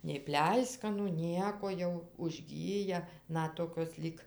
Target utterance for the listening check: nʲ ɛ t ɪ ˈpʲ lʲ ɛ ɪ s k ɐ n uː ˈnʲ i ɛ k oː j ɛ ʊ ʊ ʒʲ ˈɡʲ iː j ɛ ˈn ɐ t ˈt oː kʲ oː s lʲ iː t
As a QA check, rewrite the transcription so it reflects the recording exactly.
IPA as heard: nʲ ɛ ɪ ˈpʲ lʲ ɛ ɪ s k ɐ n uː ˈnʲ i ɛ k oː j ɛ ʊ ʊ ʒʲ ˈɡʲ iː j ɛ ˈn ɐ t ˈt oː kʲ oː s lʲ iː k